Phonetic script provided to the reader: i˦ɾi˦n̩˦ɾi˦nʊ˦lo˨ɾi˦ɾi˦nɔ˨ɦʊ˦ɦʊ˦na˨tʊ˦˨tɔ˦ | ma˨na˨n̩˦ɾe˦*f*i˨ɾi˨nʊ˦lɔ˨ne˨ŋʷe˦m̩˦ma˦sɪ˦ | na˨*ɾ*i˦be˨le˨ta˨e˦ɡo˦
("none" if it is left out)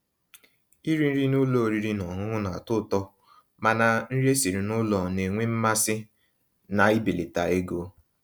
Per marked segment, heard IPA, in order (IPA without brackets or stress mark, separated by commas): s, none